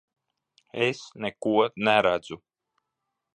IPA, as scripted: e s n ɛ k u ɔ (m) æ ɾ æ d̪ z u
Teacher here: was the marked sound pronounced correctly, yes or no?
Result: no